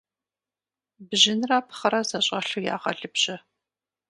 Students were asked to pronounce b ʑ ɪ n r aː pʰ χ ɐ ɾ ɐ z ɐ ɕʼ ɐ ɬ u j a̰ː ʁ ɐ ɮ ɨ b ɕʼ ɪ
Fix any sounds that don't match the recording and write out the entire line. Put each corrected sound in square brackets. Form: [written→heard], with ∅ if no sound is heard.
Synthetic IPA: b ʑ ɪ n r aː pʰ χ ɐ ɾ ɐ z ɐ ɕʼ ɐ ɬ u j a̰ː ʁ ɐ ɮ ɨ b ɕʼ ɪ